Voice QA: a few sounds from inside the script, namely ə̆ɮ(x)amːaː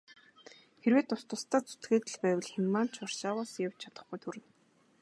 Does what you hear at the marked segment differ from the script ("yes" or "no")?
no